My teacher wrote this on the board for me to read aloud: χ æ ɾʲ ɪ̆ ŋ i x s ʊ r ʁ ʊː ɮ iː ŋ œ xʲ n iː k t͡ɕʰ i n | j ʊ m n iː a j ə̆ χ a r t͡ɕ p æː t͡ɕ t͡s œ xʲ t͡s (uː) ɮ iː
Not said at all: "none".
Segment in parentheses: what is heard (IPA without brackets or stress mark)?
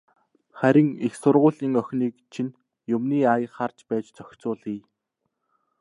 ʊː